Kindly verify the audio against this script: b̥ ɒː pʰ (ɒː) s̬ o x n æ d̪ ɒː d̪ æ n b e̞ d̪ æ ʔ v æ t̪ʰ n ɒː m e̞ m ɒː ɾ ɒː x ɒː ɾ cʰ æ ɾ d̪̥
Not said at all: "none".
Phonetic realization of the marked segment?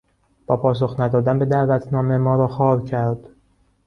ɒː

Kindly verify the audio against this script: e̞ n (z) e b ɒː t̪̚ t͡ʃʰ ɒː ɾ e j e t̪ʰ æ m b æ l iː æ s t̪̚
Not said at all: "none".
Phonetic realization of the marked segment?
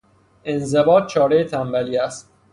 z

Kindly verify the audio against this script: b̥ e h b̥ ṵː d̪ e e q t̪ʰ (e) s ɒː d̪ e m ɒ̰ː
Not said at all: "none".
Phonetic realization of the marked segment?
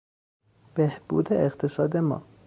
e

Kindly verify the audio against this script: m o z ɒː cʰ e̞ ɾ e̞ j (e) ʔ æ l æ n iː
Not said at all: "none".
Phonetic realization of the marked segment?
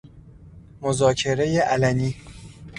e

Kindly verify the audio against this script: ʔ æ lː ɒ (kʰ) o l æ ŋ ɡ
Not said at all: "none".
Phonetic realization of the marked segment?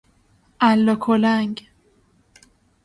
kʰ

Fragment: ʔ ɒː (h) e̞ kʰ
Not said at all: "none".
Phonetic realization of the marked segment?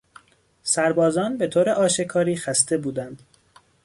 ʃ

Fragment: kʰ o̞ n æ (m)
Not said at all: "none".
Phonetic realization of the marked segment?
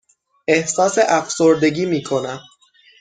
m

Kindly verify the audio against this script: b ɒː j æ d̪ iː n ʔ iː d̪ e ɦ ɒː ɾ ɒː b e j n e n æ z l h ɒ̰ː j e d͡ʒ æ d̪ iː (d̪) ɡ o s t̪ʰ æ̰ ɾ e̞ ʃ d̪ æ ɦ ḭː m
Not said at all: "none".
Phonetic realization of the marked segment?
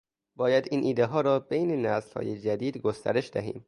d̪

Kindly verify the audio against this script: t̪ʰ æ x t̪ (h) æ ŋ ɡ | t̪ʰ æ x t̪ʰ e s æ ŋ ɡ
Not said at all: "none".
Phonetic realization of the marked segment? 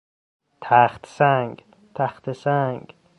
s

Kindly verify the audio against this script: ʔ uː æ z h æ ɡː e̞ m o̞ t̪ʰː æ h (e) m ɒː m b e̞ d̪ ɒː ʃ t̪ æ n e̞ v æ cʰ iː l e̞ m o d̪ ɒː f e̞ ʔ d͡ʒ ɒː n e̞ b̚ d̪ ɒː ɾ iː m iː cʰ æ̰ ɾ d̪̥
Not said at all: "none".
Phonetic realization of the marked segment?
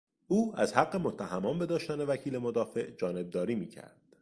æ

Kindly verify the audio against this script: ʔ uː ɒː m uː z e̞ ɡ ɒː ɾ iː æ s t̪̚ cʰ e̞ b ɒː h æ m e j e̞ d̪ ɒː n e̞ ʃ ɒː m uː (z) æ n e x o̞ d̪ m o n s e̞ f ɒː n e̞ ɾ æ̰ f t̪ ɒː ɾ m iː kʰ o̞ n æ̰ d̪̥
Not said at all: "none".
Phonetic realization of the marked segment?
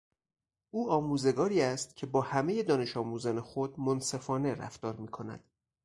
z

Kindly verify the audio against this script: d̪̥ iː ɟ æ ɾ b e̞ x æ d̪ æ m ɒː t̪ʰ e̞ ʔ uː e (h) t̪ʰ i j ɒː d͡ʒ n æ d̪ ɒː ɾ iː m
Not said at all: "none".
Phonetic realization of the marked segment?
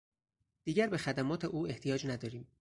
h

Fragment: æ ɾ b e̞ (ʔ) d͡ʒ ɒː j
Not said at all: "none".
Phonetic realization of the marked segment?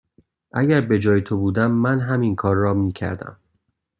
none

